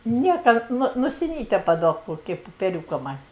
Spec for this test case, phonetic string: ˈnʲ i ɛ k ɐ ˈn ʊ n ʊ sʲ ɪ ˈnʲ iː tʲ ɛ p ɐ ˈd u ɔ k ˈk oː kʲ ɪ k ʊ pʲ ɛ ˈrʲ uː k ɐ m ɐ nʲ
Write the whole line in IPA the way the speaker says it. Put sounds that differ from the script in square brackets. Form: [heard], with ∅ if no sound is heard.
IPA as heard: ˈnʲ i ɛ k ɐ ˈn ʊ n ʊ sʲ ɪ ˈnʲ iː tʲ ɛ p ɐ ˈd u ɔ k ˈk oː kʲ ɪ [p] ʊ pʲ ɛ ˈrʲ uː k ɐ m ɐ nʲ